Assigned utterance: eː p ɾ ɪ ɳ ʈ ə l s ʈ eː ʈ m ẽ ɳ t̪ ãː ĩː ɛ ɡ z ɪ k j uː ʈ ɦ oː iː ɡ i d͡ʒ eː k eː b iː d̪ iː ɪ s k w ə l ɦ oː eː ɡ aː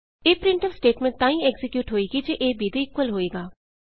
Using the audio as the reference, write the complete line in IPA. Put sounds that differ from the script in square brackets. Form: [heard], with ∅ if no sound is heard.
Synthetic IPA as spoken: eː p ɾ ɪ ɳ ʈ ə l s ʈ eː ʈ m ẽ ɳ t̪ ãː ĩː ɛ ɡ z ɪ k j uː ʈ ɦ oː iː ɡ i d͡ʒ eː [ʔ] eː b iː d̪ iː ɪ [∅] k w ə l ɦ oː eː ɡ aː